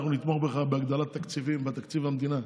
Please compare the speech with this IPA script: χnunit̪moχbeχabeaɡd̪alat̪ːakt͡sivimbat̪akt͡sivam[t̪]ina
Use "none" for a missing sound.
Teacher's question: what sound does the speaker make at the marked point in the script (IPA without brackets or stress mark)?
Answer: d̪